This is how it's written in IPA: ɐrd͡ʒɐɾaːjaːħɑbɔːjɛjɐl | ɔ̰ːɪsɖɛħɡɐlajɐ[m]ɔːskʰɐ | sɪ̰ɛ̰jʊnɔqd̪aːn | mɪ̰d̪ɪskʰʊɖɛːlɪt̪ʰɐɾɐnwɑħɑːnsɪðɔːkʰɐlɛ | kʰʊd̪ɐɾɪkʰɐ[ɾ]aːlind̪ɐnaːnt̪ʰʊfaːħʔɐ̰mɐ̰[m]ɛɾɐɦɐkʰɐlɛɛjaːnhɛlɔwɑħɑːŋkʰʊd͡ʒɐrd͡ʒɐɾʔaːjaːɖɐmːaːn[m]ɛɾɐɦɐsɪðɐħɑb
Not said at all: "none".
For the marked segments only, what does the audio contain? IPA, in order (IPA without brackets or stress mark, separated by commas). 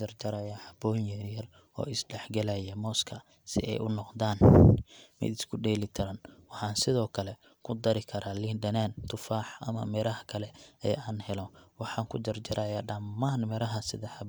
m, ɾ, m, m